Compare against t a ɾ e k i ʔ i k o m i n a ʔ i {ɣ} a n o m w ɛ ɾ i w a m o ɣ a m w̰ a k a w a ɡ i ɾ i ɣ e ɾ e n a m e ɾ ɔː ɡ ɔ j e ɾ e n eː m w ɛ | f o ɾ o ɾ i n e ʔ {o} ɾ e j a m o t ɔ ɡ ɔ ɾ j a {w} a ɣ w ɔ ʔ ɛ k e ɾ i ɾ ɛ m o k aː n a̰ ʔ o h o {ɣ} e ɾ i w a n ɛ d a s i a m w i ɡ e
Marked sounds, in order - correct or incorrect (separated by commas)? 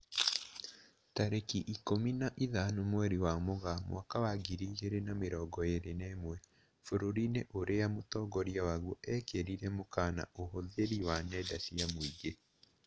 incorrect, correct, correct, incorrect